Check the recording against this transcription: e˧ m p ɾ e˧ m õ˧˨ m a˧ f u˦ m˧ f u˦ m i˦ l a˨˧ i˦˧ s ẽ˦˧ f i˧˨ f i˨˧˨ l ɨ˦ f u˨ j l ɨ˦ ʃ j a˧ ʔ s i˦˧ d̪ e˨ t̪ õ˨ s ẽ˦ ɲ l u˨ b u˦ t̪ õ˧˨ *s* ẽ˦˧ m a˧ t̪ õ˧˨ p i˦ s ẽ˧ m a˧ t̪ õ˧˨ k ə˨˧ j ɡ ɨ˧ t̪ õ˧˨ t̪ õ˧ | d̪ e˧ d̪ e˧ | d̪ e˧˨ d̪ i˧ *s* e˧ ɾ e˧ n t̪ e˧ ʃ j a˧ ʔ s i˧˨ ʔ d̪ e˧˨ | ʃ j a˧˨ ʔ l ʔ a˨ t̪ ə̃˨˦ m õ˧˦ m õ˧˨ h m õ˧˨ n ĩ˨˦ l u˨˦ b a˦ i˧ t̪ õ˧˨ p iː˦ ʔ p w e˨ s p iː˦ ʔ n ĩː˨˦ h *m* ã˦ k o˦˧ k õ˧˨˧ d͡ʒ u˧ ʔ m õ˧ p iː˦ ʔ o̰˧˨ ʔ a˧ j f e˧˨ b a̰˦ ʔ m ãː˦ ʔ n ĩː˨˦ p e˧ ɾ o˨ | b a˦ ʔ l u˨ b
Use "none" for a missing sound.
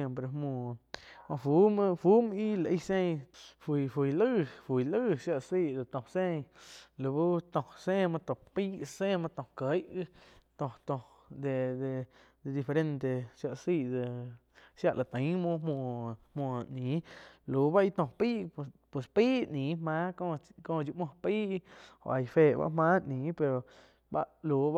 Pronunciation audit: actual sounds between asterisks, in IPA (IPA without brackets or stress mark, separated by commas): s, f, m